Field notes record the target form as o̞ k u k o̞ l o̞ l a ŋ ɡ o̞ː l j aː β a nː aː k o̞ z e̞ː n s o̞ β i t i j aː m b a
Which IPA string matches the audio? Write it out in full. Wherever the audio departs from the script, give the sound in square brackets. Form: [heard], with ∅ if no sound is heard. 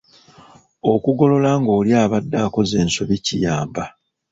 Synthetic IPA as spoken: o̞ k u [ɡ] o̞ l o̞ l a ŋ ɡ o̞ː l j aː β a [dː] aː k o̞ z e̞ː n s o̞ β i [c] i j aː m b a